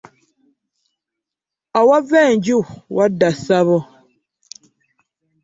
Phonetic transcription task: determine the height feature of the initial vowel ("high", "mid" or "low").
low